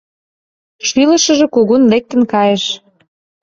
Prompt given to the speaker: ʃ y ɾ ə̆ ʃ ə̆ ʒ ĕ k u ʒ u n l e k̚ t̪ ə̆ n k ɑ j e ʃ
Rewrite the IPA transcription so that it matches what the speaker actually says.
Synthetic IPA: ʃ y l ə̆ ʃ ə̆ ʒ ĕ k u ɣ u n l e k̚ t̪ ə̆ n k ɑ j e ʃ